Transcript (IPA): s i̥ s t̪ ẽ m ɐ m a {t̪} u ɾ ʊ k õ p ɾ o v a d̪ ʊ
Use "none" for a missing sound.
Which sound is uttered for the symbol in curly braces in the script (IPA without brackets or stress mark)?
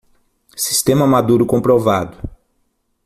d̪